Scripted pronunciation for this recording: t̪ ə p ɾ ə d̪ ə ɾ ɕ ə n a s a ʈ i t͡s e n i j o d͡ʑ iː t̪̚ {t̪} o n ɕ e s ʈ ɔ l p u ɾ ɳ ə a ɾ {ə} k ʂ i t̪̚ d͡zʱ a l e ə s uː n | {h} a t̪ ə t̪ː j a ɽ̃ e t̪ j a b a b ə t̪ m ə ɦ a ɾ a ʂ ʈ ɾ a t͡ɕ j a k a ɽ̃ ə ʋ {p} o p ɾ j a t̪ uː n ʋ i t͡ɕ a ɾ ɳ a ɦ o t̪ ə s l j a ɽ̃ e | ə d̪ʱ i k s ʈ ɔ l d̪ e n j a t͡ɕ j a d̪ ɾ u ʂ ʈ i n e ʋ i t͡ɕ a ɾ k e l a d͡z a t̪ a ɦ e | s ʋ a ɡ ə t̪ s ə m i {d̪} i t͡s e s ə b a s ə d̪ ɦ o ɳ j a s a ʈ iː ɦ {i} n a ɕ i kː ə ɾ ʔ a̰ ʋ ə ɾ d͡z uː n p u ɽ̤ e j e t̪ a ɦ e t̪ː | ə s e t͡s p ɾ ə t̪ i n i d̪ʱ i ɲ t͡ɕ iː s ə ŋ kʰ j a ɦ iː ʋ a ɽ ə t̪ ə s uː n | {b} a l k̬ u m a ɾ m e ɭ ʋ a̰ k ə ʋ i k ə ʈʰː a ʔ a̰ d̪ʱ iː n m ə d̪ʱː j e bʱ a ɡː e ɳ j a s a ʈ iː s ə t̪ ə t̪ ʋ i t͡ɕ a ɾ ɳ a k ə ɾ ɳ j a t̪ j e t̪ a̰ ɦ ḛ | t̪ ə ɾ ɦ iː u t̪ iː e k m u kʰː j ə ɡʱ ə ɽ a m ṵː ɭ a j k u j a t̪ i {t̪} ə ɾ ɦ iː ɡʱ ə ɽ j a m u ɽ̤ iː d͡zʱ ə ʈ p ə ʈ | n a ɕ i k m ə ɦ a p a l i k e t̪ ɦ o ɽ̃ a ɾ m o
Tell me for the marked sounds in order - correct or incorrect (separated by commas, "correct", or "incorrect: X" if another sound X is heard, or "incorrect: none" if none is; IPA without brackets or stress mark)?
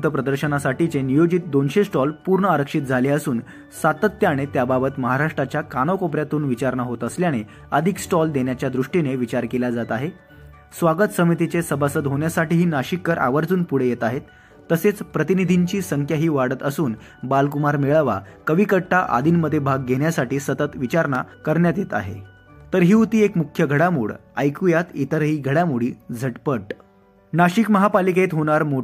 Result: incorrect: d̪, correct, incorrect: s, incorrect: k, incorrect: t̪, incorrect: iː, correct, correct